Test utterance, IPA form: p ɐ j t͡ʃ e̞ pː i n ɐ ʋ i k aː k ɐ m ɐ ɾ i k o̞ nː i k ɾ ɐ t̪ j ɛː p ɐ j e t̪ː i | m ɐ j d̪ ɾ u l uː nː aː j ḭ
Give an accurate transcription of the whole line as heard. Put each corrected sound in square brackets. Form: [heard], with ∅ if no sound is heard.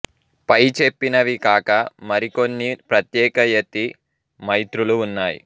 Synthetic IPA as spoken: p ɐ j t͡ʃ e̞ pː i n ɐ ʋ i k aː k ɐ m ɐ ɾ i k o̞ nː i [p] ɾ ɐ t̪ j ɛː [k] ɐ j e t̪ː i | m ɐ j [t̪] ɾ u l uː nː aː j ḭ